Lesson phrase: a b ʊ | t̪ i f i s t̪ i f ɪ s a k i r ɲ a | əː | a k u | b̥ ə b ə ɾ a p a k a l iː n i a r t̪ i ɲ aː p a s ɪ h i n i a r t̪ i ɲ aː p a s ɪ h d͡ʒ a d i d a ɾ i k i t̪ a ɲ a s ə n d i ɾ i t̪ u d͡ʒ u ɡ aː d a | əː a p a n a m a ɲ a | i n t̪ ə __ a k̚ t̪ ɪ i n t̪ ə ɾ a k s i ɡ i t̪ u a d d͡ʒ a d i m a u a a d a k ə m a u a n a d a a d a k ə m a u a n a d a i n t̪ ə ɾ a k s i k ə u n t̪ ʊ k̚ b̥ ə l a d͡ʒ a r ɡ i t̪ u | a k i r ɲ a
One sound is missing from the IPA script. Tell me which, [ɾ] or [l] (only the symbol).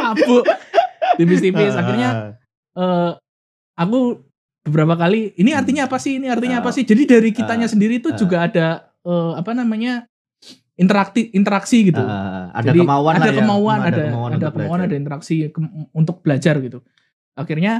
ɾ